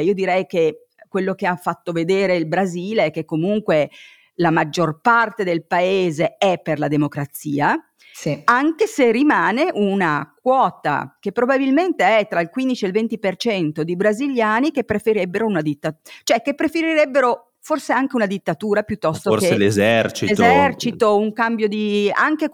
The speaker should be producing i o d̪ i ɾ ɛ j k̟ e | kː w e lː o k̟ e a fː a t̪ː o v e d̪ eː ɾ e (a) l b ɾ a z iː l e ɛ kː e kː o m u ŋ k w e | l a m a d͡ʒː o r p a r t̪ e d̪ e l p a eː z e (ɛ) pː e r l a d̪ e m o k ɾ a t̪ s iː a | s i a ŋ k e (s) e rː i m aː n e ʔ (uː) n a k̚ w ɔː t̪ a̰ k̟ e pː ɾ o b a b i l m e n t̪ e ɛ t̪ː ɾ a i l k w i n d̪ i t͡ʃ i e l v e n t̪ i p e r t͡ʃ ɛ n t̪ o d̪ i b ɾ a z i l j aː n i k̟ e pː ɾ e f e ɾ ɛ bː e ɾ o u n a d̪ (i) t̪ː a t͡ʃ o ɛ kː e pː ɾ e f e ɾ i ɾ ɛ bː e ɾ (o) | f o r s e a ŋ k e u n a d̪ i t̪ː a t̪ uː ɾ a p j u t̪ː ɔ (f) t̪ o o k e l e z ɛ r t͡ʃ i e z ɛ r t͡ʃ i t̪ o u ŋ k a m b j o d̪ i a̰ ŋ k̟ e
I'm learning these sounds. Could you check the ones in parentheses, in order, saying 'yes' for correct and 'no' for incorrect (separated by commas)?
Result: no, yes, yes, no, yes, yes, no